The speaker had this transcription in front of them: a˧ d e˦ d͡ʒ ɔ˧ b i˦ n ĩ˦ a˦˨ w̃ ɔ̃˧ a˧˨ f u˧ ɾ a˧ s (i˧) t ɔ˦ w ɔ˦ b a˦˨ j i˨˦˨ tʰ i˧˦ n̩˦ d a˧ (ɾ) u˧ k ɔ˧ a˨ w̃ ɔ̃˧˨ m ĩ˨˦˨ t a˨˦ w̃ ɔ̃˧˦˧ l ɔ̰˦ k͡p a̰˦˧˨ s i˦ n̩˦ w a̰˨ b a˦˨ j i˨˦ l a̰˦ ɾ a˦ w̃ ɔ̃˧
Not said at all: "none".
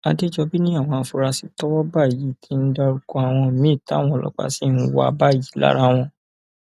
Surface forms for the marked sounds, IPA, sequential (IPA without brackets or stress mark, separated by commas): i˧, ɾ